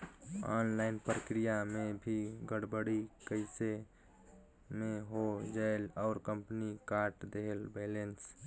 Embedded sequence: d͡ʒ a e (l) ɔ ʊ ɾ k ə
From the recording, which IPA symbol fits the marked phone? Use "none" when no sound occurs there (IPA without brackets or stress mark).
l